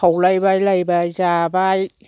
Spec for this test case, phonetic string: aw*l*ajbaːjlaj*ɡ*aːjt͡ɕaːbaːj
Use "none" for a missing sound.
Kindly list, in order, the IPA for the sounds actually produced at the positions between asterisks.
l, b

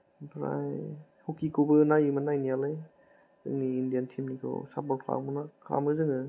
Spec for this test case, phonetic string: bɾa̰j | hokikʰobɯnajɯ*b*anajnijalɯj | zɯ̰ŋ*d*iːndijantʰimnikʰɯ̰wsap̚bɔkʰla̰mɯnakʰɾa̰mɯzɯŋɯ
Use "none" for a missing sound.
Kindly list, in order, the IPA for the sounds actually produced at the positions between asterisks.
m, n

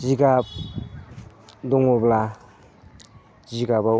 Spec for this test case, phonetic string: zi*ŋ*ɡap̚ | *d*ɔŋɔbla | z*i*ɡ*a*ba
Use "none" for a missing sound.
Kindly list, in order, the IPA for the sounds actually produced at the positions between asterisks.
none, d, i, a

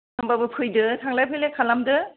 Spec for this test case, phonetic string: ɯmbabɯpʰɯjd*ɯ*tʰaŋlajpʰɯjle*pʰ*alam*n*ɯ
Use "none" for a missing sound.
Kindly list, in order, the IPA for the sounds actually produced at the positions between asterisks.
ɯ, kʰ, d

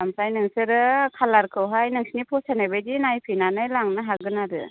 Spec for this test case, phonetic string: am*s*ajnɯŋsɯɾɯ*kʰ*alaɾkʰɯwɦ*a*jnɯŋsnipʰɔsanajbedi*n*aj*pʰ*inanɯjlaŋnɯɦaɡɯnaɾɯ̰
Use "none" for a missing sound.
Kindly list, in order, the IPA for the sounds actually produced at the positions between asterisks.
s, kʰ, a, n, pʰ

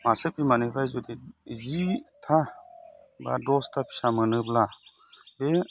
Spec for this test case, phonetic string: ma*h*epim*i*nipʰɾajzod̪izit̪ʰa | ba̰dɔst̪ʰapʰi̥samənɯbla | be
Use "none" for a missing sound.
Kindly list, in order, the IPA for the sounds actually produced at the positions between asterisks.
s, a

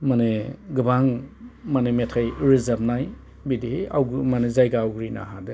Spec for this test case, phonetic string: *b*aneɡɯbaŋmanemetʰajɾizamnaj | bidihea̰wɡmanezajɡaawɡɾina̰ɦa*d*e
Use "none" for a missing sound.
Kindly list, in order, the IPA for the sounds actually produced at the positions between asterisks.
m, d

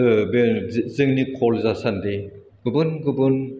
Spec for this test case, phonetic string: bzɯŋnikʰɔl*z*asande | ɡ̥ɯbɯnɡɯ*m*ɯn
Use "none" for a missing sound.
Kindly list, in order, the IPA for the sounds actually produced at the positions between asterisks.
z, b

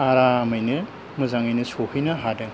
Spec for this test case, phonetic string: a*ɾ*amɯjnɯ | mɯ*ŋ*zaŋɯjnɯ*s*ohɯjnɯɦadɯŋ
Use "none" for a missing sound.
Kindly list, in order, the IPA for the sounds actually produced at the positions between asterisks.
ɾ, none, s

